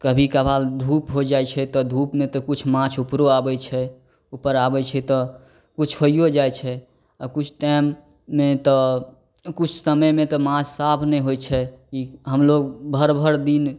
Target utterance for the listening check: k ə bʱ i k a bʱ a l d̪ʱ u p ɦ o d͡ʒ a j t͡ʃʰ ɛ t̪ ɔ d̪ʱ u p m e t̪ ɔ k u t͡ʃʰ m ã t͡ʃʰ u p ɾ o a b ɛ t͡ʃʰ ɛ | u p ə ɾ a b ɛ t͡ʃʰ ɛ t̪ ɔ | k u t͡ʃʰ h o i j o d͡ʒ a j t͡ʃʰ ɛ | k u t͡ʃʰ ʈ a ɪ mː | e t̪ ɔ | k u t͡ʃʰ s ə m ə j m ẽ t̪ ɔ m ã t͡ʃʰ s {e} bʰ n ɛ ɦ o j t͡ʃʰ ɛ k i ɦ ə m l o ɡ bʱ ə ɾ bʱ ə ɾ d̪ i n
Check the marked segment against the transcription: incorrect: a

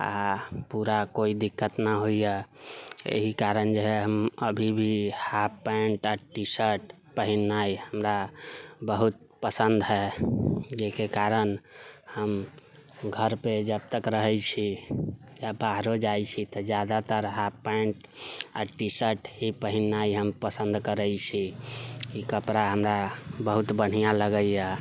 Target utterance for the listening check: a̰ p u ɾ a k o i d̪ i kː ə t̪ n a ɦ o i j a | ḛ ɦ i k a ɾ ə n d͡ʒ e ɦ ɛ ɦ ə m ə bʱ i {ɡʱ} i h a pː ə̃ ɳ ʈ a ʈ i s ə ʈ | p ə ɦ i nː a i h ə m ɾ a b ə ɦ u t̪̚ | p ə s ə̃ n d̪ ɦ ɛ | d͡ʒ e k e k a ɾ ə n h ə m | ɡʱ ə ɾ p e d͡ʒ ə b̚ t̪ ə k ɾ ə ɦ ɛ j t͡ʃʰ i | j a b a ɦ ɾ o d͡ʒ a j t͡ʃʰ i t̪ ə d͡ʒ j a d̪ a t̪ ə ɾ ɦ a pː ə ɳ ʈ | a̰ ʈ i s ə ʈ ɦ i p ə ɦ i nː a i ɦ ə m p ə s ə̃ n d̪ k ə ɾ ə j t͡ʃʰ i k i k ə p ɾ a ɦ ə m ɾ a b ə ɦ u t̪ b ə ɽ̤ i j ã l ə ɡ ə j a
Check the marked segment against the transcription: incorrect: bʱ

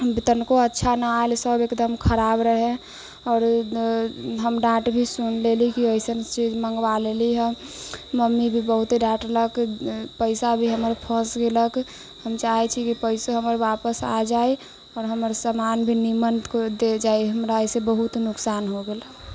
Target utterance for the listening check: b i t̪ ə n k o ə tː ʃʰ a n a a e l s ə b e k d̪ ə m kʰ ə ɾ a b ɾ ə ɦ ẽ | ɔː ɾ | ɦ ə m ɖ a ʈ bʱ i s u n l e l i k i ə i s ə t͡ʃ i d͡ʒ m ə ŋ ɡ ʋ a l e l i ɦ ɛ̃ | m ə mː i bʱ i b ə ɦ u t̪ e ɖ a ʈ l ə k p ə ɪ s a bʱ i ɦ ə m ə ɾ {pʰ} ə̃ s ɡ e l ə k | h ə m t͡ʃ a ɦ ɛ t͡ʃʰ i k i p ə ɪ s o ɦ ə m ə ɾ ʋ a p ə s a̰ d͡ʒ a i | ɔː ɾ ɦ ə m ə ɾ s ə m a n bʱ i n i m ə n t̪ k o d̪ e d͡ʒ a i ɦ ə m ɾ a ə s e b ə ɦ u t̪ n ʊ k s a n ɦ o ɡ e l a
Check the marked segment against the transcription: correct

